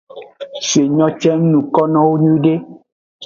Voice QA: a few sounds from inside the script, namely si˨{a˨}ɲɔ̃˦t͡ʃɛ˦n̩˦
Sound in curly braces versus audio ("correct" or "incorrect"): incorrect